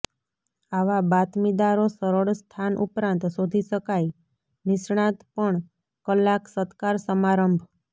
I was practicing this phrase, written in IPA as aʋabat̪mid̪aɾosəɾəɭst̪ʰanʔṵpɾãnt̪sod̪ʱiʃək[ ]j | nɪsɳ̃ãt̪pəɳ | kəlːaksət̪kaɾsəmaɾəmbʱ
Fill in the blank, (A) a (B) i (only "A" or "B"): A